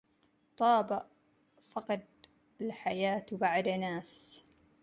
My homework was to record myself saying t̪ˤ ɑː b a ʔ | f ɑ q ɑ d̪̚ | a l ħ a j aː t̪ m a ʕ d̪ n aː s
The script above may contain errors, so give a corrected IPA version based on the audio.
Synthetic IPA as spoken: t̪ˤ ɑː b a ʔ | f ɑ q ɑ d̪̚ | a l ħ a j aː t̪ b a ʕ d̪ n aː s